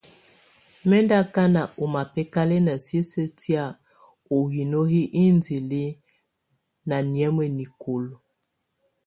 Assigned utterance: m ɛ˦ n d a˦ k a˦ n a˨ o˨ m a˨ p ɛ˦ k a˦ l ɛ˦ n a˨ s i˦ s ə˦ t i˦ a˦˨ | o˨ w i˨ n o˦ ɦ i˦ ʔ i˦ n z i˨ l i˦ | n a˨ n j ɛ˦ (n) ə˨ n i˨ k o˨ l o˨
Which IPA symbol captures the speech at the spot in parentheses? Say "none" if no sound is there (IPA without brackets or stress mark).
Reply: m